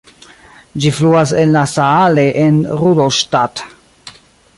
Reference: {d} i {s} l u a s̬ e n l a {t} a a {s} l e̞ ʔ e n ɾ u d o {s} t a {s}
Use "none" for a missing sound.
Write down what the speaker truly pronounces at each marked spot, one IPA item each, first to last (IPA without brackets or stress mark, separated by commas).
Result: d͡ʒ, f, s, none, ʃ, t